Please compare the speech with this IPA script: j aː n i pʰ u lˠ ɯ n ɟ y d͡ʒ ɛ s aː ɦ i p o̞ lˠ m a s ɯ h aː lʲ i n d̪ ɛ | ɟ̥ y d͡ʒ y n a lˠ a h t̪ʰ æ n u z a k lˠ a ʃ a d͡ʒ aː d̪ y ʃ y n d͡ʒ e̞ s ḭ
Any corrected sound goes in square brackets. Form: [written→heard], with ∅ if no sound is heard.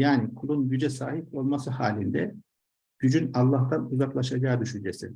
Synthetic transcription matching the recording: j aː n i [pʰ→kʰ] u lˠ [ɯ→u] n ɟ y d͡ʒ ɛ s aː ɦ i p o̞ lˠ m a s ɯ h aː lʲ i n d̪ ɛ | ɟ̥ y d͡ʒ y n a [lˠ→lˠː] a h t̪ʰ [æ→a] n u z a k lˠ a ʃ a d͡ʒ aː d̪ y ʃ y n d͡ʒ e̞ s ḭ